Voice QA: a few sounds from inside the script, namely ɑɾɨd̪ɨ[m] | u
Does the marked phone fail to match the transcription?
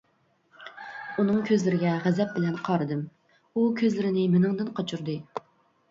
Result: no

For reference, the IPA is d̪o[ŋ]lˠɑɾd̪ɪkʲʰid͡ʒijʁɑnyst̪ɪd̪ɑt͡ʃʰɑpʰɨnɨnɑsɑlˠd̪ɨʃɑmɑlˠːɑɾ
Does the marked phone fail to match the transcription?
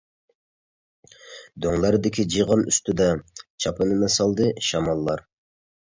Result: no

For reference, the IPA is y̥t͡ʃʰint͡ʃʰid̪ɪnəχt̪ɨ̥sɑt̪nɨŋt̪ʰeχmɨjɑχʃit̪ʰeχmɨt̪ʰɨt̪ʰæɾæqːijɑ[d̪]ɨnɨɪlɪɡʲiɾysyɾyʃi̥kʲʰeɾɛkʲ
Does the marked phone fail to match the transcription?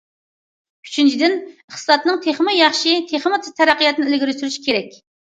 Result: yes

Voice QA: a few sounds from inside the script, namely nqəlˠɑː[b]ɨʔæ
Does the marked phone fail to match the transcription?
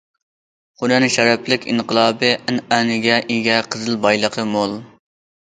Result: no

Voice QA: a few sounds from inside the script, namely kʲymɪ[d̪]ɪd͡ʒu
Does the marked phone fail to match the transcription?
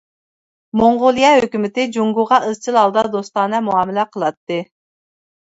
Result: yes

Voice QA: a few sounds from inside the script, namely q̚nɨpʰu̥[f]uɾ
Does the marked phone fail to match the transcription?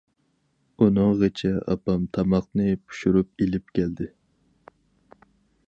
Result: yes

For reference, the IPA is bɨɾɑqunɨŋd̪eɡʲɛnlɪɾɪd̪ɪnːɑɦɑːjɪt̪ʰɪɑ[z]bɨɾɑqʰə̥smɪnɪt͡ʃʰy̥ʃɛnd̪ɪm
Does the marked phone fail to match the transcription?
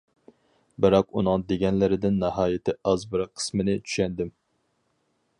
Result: no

